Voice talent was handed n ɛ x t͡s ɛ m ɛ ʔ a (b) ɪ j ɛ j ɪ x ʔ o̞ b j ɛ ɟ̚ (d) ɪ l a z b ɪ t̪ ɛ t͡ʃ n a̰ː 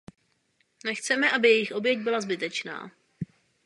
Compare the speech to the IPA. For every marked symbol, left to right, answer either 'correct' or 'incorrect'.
correct, incorrect

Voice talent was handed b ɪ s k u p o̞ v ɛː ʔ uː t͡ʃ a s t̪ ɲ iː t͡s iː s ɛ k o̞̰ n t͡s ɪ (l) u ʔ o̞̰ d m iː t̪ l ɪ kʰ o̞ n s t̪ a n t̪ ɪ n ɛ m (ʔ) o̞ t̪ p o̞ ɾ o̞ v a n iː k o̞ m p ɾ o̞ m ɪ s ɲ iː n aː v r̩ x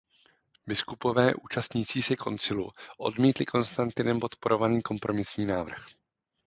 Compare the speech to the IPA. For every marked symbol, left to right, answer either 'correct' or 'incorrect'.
correct, incorrect

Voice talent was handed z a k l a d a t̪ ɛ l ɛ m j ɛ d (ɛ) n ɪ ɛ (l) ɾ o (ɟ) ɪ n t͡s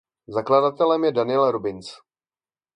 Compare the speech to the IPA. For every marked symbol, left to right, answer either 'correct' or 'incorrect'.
incorrect, correct, incorrect

